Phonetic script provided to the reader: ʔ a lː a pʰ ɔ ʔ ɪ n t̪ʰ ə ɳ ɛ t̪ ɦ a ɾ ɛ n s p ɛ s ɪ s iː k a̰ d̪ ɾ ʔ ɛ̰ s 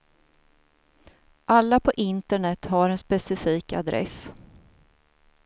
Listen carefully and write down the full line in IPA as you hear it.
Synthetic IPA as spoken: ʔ a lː a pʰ ɔ ʔ ɪ n t̪ ə ɳ ɛ t̪ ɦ a ɾ ɛ n s p ɛ s ɪ f iː k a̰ d̪ ɾ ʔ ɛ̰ s

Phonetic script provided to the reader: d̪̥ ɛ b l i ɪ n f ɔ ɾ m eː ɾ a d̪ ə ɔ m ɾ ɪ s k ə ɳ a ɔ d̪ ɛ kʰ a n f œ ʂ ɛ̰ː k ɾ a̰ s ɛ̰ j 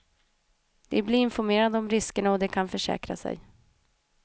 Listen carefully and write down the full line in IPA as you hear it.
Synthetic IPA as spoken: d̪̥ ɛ b l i ɪ n f ɔ ɾ m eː ɾ a d̪ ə ɔ m ɾ ɪ s k ə ɳ a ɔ d̪ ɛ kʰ a n f œ ʂ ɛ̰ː k ɾ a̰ s ɛ̰ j

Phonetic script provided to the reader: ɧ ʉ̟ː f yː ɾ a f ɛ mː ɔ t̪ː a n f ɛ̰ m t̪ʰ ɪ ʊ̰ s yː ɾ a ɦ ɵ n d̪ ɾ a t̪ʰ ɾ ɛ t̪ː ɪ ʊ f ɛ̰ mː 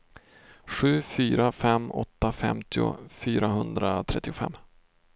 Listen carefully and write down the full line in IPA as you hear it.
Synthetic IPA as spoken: ɧ ʉ̟ː f yː ɾ a f ɛ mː ɔ t̪ː a f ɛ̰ m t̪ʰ ɪ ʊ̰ f yː ɾ a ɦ ɵ n d̪ ɾ a t̪ʰ ɾ ɛ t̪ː ɪ ʊ f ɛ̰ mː

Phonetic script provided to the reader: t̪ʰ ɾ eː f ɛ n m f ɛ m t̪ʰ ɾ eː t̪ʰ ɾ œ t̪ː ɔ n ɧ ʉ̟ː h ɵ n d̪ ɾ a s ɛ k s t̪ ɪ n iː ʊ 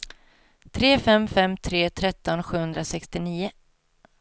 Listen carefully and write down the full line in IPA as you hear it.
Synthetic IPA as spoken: t̪ʰ ɾ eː f ɛ m f ɛ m t̪ʰ ɾ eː t̪ʰ ɾ ɛ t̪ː ɔ n ɧ ʉ̟ː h ɵ n d̪ ɾ a s ɛ k s t̪ ɪ n iː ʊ

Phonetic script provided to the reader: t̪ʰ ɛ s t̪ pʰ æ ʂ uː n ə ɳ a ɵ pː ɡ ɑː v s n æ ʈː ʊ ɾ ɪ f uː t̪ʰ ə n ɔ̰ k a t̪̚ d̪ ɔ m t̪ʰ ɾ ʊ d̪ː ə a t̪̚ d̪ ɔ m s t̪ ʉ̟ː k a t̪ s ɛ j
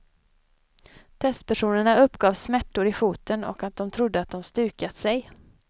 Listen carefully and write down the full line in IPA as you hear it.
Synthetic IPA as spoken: t̪ʰ ɛ s t̪ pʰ æ ʂ uː n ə ɳ a ɵ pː ɡ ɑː v s m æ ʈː ʊ ɾ ɪ f uː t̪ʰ ə n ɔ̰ k a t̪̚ d̪ ɔ m t̪ʰ ɾ ʊ d̪ː ə a t̪̚ d̪ ɔ m s t̪ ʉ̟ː k a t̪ s ɛ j

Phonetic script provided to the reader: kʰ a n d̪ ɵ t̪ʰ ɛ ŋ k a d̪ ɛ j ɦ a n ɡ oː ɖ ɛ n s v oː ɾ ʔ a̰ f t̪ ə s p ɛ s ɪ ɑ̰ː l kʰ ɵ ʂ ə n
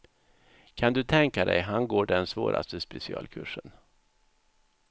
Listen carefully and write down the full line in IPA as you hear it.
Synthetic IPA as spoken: kʰ a n d̪ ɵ t̪ʰ ɛ ŋ k a d̪ ɛ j ɦ a n ɡ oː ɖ ɛ n s v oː ɾ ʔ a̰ s t̪ ə s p ɛ s ɪ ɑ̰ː l kʰ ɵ ʂ ə n

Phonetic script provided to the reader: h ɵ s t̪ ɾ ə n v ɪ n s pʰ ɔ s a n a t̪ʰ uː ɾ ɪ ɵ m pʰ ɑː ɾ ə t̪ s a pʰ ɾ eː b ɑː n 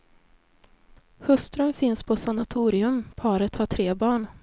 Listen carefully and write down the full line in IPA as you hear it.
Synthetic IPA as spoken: h ɵ s t̪ ɾ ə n f ɪ n s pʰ ɔ s a n a t̪ʰ uː ɾ ɪ ɵ m pʰ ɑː ɾ ə t̪ h a ʈʰ ɾ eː b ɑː ɳ

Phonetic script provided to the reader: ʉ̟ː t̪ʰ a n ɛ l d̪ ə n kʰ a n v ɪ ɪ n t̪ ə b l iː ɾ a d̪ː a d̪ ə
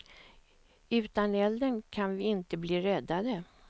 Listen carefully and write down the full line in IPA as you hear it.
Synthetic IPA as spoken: ʉ̟ː t̪ a n ɛ l d̪ ə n kʰ a n v ɪ ɪ n t̪ ə b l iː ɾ ɛ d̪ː a d̪ ə

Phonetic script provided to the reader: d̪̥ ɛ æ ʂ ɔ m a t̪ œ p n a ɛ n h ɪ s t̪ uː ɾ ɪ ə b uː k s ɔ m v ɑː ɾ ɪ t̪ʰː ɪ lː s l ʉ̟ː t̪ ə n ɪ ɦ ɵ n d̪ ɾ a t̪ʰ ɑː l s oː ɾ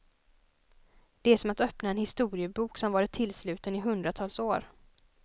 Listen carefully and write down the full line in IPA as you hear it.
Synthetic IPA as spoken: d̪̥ ɛ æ ʂ ɔ m a t̪ œ p n a ɛ n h ɪ s t̪ uː ɾ ɪ ə b uː k s ɔ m v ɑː ɾ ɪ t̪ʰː ɪ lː s l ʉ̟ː t̪ ə n ɪ ɦ ɵ n d̪ ɾ a t̪ʰ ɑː l s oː ɾ

